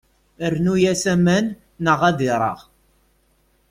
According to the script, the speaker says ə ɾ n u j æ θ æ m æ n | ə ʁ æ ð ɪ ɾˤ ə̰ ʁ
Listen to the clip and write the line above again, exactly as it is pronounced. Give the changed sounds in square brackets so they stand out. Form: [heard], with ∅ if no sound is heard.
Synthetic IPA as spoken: ə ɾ n u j æ [s] æ m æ [nː] | ə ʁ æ ð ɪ ɾˤ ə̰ ʁ